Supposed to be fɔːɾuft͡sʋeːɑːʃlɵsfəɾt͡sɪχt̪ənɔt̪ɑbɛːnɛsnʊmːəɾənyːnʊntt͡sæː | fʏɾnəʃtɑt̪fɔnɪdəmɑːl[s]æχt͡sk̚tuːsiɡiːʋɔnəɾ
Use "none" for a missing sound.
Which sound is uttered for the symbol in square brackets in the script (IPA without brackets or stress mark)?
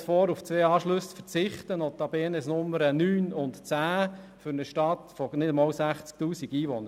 s